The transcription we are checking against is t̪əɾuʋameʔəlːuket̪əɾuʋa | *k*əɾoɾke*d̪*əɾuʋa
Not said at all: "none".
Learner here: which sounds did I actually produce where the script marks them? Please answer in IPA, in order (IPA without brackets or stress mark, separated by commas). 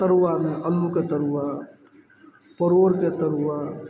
p, t̪